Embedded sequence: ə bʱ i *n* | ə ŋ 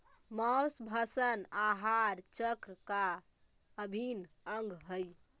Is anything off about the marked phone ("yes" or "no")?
no